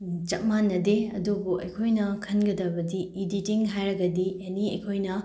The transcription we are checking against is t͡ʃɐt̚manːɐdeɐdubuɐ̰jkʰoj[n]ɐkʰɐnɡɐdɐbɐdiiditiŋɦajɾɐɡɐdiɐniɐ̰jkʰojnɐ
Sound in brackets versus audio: correct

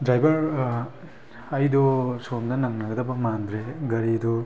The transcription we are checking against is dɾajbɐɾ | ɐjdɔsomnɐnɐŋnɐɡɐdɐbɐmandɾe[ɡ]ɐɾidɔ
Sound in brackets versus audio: correct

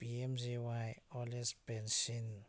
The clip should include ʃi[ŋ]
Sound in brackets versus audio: incorrect: n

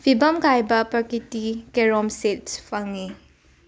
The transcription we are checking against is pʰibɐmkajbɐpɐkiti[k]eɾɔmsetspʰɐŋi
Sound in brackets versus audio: correct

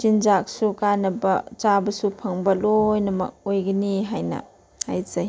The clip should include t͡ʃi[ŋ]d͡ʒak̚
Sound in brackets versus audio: incorrect: n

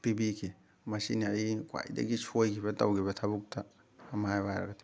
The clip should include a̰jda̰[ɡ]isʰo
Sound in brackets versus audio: correct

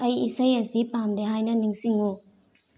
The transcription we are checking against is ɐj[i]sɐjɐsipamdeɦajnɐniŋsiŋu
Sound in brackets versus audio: correct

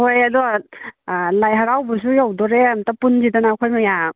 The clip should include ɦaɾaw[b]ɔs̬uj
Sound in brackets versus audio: correct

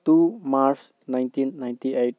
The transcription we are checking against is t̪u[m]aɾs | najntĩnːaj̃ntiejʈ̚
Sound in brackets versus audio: correct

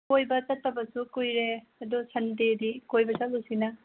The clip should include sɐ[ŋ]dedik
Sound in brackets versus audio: incorrect: n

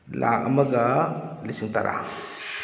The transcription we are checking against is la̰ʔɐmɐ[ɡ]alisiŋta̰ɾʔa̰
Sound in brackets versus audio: correct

